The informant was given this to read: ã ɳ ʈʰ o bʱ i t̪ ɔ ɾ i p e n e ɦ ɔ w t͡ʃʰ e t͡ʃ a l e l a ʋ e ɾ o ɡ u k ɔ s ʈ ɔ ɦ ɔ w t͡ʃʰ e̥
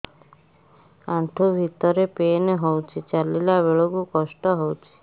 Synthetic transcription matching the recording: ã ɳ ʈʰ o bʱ i t̪ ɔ ɾ e p e n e ɦ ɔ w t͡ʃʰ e t͡ʃ a l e l a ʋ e ɭ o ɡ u k ɔ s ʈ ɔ ɦ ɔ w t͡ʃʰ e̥